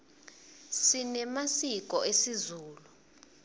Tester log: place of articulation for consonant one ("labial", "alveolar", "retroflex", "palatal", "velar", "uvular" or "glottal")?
alveolar